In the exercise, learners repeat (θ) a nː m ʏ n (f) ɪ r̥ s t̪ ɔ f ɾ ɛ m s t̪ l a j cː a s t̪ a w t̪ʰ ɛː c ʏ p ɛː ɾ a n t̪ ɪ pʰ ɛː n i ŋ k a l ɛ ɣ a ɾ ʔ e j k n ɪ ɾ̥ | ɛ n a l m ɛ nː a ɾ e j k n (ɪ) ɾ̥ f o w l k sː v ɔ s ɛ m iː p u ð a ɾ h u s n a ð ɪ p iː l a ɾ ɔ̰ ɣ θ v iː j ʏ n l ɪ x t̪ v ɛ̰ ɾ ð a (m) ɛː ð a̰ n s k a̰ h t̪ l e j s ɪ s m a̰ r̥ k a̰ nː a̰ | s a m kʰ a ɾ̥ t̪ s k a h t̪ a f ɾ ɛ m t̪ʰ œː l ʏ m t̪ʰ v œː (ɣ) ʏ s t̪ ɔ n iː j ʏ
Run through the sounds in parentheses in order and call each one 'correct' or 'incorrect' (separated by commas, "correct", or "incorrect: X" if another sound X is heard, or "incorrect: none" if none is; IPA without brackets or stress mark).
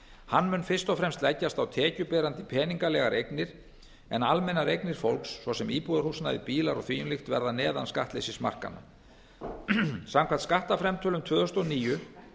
incorrect: h, correct, correct, incorrect: n, incorrect: ð